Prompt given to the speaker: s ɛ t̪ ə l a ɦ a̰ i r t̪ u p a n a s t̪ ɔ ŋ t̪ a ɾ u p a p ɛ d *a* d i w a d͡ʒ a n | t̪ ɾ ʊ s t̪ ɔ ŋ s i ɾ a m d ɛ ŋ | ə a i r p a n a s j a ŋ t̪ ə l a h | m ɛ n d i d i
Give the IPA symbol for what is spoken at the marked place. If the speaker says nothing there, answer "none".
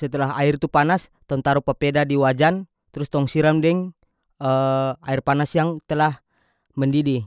a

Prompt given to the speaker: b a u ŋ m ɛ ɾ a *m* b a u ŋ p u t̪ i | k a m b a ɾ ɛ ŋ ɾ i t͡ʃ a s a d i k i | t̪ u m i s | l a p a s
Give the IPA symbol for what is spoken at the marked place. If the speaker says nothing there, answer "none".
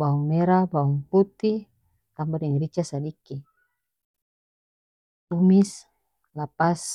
none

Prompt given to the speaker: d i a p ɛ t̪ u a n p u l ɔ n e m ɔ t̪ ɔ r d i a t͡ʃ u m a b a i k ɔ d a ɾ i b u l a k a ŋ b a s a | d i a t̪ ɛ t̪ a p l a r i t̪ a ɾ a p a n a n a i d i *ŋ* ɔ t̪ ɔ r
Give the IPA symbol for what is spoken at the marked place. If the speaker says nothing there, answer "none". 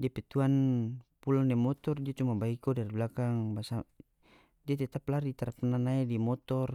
m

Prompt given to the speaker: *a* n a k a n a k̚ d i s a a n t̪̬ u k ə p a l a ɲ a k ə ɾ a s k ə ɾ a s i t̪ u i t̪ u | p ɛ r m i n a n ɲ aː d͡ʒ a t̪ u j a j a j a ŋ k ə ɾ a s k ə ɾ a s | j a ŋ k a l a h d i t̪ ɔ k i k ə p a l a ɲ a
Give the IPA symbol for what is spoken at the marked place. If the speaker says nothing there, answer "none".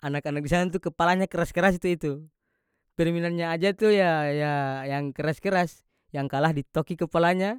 a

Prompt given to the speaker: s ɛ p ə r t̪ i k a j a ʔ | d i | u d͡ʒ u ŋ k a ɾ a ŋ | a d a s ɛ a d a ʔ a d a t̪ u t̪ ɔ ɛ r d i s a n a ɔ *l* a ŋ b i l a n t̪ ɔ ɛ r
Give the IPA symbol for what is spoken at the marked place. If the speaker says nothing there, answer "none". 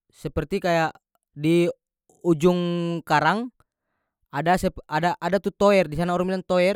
ɾ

